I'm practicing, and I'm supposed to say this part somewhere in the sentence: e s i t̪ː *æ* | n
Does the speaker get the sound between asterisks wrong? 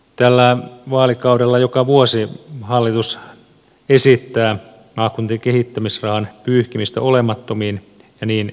yes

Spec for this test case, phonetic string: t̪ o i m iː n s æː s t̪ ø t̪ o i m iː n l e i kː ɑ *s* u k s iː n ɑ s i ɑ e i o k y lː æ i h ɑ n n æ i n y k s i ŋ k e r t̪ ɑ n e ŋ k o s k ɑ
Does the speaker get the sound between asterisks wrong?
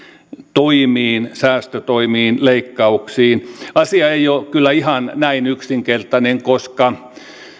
yes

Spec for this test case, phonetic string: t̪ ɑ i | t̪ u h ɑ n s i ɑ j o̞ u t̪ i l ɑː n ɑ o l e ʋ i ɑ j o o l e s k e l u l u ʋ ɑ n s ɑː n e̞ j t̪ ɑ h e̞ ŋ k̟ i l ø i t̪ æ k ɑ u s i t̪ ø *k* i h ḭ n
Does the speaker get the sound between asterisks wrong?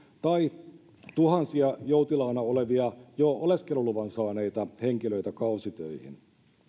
yes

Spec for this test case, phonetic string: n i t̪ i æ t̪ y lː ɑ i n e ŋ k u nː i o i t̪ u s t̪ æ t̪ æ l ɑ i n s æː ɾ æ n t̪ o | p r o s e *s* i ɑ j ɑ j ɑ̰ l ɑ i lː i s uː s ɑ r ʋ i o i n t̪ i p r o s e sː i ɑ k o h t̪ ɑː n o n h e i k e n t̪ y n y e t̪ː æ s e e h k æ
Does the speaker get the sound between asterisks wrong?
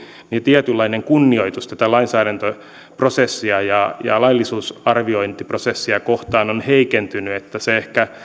yes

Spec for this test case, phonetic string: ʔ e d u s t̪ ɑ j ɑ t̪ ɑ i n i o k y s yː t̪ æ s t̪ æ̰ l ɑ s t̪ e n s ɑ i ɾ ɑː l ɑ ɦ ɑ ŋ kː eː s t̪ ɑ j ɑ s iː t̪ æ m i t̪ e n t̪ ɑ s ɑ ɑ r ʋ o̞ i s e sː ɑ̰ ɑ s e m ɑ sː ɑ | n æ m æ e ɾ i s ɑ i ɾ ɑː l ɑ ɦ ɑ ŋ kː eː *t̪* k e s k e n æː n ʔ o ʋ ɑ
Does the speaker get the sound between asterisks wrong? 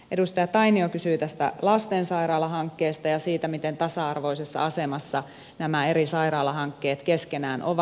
no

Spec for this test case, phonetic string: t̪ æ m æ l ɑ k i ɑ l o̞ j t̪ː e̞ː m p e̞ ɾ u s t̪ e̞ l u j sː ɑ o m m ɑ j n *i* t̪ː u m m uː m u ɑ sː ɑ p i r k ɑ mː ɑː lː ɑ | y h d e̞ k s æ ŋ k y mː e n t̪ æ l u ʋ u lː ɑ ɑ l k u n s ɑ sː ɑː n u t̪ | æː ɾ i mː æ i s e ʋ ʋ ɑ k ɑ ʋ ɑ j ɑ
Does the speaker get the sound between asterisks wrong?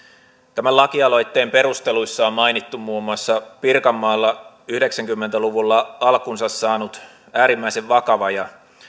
no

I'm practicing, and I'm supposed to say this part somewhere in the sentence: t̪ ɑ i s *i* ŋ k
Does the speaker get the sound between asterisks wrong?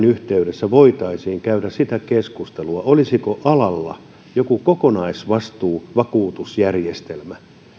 yes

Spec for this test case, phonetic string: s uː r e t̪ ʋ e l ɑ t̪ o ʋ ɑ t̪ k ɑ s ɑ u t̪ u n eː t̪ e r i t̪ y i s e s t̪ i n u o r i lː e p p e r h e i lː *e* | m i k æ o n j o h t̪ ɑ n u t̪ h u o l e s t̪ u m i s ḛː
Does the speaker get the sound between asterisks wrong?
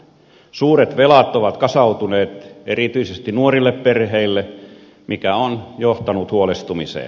no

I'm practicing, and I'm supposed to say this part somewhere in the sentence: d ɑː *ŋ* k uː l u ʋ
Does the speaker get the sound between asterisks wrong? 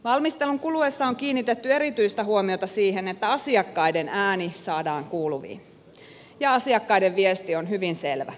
no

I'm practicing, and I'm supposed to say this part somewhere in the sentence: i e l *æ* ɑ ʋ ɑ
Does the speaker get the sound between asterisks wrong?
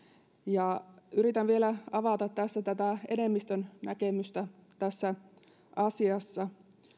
no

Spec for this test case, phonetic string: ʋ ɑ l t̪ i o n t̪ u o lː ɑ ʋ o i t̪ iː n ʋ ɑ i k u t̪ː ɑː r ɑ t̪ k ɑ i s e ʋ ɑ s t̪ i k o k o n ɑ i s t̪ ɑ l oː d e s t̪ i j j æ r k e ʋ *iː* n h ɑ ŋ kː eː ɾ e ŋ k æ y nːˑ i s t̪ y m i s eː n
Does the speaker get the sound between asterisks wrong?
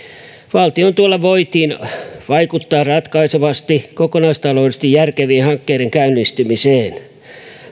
no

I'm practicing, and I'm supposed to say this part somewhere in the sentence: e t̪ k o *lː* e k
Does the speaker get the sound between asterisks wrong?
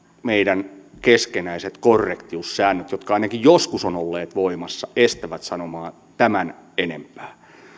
yes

